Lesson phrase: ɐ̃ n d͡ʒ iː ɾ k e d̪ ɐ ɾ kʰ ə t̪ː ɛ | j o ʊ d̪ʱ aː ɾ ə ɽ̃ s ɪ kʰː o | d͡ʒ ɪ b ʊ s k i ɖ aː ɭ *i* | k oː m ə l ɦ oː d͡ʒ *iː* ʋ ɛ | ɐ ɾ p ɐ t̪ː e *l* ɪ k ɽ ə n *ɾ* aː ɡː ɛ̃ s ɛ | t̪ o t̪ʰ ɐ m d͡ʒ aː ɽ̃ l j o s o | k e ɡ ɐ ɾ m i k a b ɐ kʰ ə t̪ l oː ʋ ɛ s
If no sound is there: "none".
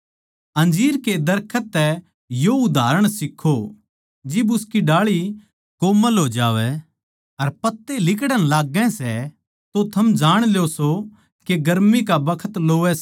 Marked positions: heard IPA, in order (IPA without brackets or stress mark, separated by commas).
i, aː, l, l